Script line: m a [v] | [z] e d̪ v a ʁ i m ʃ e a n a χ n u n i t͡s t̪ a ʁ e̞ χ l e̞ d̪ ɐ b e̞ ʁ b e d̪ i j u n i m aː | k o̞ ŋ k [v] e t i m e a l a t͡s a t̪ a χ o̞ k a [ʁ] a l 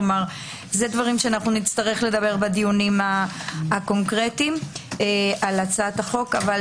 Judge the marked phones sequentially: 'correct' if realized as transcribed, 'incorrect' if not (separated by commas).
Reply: incorrect, correct, incorrect, incorrect